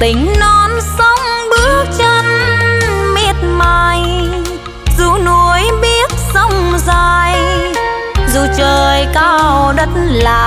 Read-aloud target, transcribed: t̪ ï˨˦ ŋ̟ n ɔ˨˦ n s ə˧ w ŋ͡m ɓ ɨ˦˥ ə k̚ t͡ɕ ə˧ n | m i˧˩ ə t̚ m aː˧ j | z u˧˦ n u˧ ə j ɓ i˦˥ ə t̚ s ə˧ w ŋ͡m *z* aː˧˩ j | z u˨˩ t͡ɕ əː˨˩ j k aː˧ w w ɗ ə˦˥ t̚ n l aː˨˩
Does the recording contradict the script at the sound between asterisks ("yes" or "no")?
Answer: no